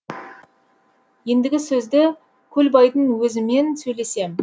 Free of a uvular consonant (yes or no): yes